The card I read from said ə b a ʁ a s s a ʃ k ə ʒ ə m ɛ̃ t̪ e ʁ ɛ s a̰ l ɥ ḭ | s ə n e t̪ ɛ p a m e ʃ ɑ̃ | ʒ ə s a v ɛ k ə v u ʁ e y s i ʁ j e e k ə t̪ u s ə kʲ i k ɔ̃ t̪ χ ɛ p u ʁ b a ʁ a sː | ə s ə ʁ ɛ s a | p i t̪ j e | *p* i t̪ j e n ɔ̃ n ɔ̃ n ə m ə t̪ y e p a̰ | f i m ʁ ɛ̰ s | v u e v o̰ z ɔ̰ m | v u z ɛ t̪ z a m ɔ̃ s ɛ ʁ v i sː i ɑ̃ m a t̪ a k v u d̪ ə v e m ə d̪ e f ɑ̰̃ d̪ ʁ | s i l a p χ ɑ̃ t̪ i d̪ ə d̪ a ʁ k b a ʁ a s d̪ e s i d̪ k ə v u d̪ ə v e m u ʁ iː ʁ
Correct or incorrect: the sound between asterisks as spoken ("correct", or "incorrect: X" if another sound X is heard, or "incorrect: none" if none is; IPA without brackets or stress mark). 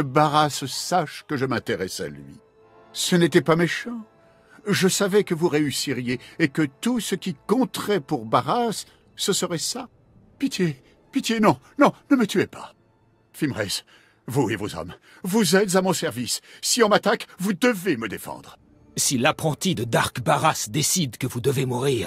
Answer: correct